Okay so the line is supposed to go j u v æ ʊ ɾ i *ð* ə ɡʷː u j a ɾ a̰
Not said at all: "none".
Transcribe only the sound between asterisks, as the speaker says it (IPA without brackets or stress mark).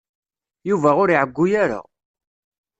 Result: ʕ